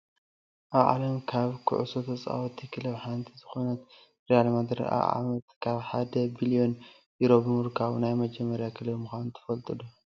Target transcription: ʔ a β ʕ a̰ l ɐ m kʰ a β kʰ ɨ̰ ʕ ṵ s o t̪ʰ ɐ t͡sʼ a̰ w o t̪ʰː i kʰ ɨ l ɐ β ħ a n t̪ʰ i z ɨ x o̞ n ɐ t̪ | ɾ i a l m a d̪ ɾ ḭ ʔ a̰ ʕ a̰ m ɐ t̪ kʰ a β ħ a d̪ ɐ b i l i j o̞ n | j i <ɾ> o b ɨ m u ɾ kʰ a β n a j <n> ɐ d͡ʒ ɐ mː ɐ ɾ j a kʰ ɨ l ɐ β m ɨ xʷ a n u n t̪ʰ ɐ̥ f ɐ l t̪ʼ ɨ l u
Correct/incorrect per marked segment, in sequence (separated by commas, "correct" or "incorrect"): correct, incorrect